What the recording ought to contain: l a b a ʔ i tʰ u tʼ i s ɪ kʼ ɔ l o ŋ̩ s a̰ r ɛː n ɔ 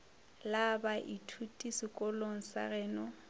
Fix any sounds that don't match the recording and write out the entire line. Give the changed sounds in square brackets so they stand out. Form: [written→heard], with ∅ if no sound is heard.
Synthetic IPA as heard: l a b a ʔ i tʰ u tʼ i s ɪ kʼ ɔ l o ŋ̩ s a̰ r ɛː n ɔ